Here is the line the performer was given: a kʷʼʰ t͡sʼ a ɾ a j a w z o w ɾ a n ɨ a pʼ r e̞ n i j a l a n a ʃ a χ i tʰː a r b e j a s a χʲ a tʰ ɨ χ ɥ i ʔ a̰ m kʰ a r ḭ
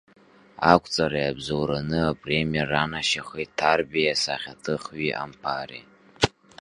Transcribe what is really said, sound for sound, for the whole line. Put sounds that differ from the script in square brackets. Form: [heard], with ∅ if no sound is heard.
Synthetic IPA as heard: a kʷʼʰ t͡sʼ a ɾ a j a [b] z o w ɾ a n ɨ a pʼ r e̞ [m] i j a [r] a n a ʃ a χ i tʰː a r b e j a s a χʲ a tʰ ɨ χ ɥ i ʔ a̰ m [pʰ] a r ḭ